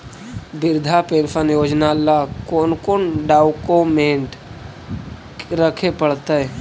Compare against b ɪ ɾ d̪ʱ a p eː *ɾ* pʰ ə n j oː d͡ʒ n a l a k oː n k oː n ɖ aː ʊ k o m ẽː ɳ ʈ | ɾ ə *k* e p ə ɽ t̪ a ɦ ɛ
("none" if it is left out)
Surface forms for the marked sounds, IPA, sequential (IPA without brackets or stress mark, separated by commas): ɾ, kʰ